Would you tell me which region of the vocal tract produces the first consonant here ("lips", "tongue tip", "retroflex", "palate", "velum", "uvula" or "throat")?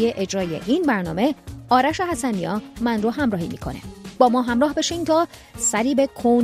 throat